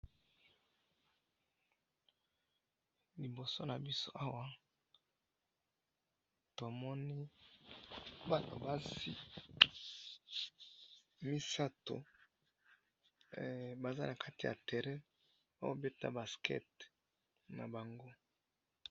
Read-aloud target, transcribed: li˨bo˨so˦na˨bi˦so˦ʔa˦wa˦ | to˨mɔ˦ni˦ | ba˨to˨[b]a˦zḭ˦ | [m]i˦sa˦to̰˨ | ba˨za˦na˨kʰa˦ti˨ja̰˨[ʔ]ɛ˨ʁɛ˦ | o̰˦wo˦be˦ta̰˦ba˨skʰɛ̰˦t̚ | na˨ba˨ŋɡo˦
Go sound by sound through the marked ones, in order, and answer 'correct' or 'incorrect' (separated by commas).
correct, correct, incorrect